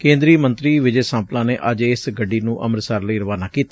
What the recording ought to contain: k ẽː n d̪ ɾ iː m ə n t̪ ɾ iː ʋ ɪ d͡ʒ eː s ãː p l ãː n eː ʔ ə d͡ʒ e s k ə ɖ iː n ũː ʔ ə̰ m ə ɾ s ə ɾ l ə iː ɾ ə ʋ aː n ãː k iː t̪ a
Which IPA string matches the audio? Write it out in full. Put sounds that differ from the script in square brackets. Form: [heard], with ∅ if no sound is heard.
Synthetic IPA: k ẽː n d̪ ɾ iː m ə n t̪ ɾ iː ʋ ɪ d͡ʒ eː s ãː p l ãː n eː ʔ ə d͡ʒ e s [ɡ] ə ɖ iː n ũː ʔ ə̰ m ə ɾ s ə ɾ l ə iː ɾ ə ʋ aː n [aː] k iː t̪ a